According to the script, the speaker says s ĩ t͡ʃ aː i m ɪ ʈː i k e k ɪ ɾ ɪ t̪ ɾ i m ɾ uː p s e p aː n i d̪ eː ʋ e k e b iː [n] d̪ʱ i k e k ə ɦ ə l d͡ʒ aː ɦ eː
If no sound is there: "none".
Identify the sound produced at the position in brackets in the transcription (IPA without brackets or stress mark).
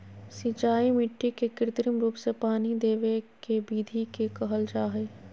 none